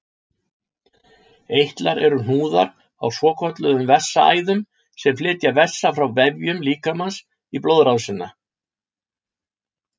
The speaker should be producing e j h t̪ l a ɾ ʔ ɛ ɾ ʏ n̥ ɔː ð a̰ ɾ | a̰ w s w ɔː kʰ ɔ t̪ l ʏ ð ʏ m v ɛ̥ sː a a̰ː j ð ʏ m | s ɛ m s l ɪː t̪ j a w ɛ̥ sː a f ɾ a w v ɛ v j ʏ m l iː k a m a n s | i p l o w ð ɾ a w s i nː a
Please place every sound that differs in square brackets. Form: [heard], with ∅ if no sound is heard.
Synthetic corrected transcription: e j h t̪ l a ɾ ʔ ɛ ɾ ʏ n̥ [uː] ð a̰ ɾ | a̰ w s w ɔː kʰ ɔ t̪ l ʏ ð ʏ m v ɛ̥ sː a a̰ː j ð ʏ m | s ɛ m [f] l ɪː t̪ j a [v] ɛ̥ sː a f ɾ a w v ɛ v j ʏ m l iː k a m a n s | i p l o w ð ɾ a w s [ɪ] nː a

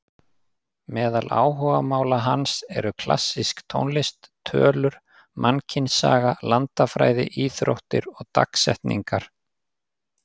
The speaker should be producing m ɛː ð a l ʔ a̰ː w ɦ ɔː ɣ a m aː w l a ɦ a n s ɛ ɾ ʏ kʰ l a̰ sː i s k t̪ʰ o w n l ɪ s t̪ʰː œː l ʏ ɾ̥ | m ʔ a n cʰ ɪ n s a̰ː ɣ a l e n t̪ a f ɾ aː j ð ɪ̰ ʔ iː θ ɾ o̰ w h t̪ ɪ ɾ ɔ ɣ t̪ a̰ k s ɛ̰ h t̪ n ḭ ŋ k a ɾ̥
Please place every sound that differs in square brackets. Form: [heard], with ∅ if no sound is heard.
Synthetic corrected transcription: m ɛː ð a l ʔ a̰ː w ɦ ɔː ɣ a m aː w l a ɦ a n s ɛ ɾ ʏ kʰ l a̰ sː i s k t̪ʰ o w n l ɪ s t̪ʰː œː l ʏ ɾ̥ | m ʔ a n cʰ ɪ n s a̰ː ɣ a l [a] n t̪ a f ɾ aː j ð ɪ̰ ʔ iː θ ɾ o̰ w h t̪ ɪ ɾ ɔ ɣ t̪ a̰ k s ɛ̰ h t̪ n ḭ ŋ k a ɾ̥

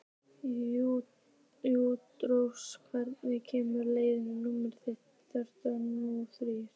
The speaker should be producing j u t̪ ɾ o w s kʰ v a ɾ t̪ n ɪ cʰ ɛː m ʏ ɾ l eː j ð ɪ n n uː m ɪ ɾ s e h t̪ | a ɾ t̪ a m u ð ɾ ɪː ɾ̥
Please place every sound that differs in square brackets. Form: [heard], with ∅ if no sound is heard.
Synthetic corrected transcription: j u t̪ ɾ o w s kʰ v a ɾ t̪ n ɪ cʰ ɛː m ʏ ɾ l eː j ð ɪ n n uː m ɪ ɾ [θ] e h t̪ | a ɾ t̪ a [n] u [θ] ɾ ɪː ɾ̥

